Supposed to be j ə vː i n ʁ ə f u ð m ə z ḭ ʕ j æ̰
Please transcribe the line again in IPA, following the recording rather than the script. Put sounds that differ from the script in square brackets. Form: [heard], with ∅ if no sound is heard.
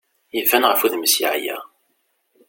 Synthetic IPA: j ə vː [æ] n ʁ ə f u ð m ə [s] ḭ ʕ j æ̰